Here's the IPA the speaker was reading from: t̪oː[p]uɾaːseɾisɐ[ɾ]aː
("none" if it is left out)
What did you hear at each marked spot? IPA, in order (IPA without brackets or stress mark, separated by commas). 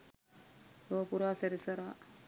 p, ɾ